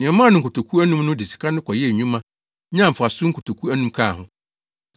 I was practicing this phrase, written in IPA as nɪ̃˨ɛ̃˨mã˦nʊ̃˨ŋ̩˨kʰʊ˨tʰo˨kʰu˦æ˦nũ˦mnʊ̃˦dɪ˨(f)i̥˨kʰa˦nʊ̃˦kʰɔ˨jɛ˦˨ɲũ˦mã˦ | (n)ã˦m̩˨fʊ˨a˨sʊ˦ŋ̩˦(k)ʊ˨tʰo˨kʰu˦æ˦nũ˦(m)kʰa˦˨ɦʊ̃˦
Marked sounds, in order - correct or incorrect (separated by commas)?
incorrect, incorrect, correct, correct